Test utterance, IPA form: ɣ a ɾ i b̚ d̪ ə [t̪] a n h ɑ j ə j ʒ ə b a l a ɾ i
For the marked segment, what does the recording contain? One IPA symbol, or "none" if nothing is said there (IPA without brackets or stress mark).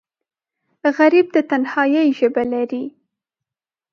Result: t̪